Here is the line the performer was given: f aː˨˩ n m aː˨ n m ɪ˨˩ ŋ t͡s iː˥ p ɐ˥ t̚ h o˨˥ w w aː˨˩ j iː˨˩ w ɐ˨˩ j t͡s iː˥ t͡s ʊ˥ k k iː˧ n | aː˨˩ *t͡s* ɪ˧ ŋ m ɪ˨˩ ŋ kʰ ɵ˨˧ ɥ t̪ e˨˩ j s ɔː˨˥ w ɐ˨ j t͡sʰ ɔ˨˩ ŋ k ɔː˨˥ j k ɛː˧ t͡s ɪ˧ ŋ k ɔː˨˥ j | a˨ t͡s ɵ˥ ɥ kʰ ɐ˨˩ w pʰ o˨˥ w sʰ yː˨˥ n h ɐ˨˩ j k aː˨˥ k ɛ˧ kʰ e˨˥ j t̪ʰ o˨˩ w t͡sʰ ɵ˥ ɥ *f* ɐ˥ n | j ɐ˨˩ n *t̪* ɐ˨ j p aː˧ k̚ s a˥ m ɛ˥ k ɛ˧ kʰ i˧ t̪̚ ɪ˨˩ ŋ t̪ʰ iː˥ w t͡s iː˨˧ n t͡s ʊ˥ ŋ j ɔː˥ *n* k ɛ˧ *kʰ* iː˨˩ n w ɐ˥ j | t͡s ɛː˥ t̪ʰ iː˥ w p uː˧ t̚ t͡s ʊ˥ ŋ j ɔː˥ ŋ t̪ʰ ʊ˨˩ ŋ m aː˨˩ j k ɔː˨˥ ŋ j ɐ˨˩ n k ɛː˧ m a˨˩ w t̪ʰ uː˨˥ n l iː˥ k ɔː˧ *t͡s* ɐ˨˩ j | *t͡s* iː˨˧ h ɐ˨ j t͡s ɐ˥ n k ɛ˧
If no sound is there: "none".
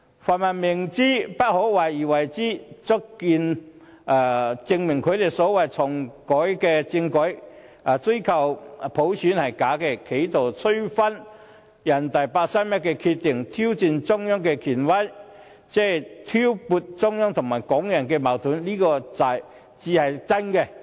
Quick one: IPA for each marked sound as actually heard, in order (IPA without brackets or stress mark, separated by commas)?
t͡s, f, t̪, ŋ, kʰ, t͡s, t͡s